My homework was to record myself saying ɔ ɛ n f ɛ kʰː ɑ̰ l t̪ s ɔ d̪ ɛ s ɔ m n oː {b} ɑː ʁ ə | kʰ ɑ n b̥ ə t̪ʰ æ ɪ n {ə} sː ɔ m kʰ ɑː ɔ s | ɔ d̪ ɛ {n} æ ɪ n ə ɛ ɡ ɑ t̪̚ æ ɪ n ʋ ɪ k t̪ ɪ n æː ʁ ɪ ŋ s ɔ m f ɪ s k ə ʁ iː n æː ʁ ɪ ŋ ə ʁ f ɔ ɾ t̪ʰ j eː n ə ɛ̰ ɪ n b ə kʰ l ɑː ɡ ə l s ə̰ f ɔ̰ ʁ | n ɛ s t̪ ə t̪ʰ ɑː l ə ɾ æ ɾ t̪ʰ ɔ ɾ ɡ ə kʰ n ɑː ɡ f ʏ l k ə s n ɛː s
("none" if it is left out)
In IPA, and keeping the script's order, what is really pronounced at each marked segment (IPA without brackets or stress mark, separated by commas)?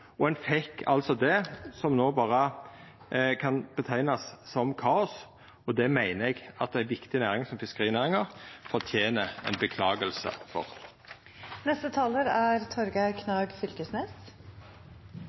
b, ɑ, m